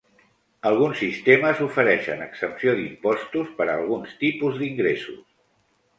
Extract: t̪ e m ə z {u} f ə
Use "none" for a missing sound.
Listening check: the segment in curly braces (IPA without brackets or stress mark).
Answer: u